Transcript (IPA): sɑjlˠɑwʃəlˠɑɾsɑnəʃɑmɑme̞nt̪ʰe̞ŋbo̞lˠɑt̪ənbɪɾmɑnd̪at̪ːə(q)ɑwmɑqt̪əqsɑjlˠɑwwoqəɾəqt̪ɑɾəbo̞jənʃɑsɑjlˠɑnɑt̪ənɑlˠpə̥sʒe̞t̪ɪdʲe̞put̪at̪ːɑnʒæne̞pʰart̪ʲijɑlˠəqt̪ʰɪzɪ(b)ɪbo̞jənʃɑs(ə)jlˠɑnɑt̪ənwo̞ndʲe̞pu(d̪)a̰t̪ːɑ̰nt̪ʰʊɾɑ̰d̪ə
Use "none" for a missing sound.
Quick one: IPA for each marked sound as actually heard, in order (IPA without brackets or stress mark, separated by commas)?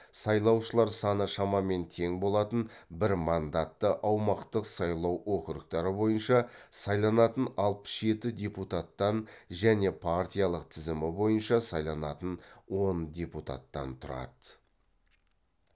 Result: ʔ, m, ɑ, t̪